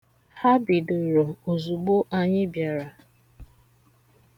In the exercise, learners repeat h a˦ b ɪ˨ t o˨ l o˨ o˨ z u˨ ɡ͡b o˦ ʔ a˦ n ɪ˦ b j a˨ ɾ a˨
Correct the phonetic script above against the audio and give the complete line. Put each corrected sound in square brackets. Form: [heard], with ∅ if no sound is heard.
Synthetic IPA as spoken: h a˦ b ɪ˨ [d] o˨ [ɾ] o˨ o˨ z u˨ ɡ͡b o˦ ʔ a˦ [ɲ] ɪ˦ b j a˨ ɾ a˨